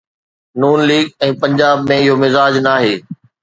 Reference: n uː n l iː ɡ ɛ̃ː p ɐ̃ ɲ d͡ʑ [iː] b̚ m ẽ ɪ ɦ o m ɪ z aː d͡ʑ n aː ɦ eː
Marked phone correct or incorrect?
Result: incorrect